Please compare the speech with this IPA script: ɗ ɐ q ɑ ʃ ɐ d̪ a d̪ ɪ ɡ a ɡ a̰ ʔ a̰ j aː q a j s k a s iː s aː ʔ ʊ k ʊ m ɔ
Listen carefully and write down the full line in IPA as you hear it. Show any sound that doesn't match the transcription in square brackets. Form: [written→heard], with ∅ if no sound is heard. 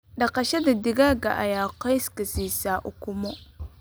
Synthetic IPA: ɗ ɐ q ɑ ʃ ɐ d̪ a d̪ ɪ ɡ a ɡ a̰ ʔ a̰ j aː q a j s k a s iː s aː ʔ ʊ k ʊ m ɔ